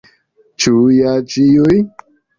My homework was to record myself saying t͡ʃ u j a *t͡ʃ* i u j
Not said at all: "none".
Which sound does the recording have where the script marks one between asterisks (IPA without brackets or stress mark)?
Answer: t͡ʃ